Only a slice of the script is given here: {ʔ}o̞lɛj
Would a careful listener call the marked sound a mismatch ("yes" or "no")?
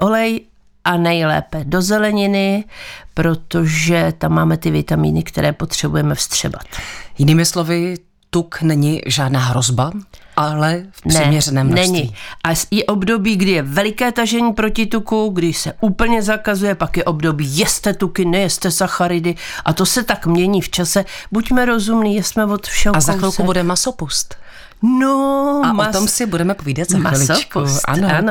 no